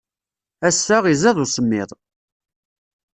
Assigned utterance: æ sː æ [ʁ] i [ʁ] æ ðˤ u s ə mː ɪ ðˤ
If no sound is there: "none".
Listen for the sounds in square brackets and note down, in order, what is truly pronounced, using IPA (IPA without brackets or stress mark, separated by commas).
ʁ, z